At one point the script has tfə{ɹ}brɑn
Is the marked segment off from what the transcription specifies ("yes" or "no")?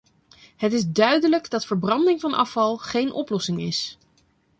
no